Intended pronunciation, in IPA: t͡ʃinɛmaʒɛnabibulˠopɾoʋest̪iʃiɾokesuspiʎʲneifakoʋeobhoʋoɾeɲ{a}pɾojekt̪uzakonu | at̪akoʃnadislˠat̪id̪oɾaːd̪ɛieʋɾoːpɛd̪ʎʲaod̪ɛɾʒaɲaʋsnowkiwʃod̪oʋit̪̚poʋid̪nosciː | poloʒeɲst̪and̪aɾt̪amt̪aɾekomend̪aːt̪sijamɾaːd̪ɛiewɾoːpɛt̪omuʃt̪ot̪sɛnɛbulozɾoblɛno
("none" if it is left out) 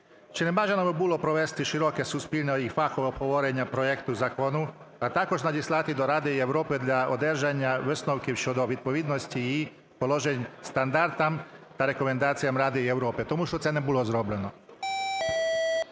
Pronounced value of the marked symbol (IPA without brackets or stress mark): a